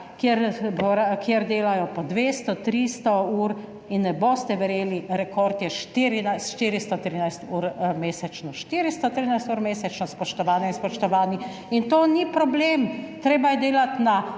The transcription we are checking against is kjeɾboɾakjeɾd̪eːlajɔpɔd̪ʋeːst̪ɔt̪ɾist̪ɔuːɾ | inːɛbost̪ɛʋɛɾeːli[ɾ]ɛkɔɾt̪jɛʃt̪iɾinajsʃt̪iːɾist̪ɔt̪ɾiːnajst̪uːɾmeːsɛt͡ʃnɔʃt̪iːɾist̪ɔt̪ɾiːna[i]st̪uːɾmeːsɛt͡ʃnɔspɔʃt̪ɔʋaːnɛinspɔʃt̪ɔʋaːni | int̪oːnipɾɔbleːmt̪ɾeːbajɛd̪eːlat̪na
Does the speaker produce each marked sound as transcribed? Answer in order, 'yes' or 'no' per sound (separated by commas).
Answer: yes, no